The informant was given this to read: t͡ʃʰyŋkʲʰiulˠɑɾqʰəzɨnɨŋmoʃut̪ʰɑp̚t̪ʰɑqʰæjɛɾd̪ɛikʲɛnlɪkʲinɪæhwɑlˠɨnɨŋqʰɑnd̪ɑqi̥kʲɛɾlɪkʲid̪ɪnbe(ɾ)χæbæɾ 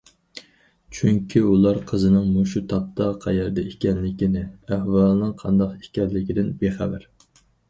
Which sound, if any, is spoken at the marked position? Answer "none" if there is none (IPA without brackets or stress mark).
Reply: none